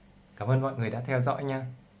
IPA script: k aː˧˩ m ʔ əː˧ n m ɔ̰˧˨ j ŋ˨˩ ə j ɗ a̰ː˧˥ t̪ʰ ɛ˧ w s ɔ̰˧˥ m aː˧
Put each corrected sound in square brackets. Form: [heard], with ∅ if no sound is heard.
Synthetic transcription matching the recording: k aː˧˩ m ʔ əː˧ n m ɔ̰˧˨ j ŋ˨˩ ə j ɗ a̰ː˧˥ t̪ʰ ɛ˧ w [z] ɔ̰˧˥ [ɲ] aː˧